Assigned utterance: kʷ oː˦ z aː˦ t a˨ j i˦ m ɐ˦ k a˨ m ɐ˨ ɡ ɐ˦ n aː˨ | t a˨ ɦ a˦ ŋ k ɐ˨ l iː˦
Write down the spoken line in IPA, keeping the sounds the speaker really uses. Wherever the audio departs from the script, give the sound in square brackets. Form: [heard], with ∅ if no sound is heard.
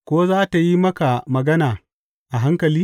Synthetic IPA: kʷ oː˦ z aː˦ t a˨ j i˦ m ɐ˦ k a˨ m ɐ˨ ɡ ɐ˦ n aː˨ | [ʔ] a˨ ɦ a˦ ŋ k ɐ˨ l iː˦